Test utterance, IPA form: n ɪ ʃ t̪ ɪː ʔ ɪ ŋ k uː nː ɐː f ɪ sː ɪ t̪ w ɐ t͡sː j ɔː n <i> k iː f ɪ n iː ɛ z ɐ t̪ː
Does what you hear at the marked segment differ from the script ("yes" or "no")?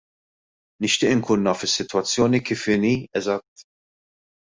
no